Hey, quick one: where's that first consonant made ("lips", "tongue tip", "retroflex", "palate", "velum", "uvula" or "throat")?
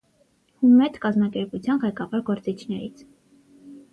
throat